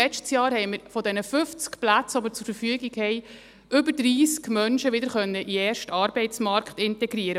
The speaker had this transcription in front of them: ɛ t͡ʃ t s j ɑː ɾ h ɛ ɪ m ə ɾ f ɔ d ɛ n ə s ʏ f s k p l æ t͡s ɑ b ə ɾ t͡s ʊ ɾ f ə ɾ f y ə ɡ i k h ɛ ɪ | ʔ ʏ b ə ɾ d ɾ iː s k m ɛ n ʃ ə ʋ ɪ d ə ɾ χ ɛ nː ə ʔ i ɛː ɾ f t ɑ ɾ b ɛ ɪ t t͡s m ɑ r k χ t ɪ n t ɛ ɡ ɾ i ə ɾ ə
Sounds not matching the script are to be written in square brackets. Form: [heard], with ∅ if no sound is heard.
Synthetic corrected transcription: ɛ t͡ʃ t s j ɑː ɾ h ɛ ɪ m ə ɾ f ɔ d ɛ n ə [f] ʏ f [t͡s] k p l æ t͡s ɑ b ə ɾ t͡s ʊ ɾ f ə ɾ f y ə ɡ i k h ɛ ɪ | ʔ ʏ b ə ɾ d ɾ iː s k m [œ] n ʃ ə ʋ ɪ d ə ɾ χ [œ] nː ə ʔ i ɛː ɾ [ʃ] t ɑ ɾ b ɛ ɪ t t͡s m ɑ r k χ t ɪ n t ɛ ɡ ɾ i ə ɾ ə

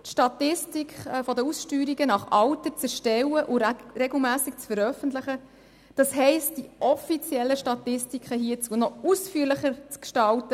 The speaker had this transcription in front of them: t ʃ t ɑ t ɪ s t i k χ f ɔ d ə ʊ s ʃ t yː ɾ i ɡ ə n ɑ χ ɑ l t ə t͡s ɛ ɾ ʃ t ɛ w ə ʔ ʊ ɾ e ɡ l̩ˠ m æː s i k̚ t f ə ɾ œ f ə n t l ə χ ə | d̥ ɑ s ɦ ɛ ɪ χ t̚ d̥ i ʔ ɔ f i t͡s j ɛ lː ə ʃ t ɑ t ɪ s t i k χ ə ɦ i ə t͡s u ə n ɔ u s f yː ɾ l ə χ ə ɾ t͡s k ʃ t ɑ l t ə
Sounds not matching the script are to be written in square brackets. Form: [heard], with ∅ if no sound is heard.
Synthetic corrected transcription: t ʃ t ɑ t ɪ s t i k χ f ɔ d ə [u] s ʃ t yː ɾ i ɡ ə n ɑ χ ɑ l t ə t͡s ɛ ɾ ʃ t ɛ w ə ʔ ʊ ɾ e ɡ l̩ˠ m æː s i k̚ [t͡s] f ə ɾ œ f ə n t l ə χ ə | d̥ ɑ s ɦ ɛ ɪ [s] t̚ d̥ i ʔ ɔ f i t͡s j ɛ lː ə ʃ t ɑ t ɪ s t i k χ ə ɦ i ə t͡s u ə n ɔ u s f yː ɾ l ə χ ə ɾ t͡s k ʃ t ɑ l t ə

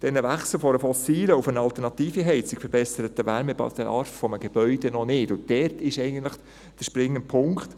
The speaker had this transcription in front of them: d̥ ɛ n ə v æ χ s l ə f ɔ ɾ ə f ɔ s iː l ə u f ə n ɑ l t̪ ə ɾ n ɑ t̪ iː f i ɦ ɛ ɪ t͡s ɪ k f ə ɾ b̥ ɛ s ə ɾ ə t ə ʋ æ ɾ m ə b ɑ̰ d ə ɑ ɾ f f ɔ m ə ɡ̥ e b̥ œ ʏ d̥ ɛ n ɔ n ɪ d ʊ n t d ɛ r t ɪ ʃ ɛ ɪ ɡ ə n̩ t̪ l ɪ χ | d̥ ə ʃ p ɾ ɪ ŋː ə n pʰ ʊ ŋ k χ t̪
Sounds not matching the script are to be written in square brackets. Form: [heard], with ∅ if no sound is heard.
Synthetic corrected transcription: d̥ ɛ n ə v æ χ s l ə f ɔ ɾ ə f ɔ s iː l ə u f ə n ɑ l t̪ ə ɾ n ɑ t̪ iː f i ɦ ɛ ɪ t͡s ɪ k f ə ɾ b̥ ɛ s ə ɾ ə t ə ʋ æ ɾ m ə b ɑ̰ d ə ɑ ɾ f f ɔ m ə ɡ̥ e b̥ œ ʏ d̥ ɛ n ɔ n ɪ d ʊ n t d ɛ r t ɪ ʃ ɛ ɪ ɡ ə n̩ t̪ l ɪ χ | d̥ ə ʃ p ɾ ɪ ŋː ə n pʰ ʊ ŋ k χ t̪

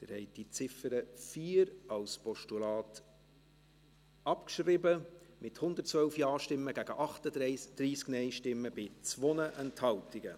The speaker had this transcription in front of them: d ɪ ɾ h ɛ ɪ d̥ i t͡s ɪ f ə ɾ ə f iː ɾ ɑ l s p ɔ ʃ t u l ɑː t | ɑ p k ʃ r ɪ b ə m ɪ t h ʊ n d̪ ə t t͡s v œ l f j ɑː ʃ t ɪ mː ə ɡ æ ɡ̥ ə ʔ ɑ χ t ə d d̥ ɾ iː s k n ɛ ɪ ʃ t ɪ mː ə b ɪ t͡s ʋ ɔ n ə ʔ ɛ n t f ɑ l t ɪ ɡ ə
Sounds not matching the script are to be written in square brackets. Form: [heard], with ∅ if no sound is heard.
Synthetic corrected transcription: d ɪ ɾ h ɛ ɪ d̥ i t͡s ɪ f ə ɾ ə f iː ɾ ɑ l s p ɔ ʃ t u l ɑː t | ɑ p k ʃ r ɪ b ə m ɪ t h ʊ n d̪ ə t t͡s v œ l f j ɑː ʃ t ɪ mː ə ɡ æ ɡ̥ ə ʔ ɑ χ t ə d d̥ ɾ iː s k n ɛ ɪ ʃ t ɪ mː ə b ɪ t͡s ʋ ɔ n ə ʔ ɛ n t [h] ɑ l t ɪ ɡ ə

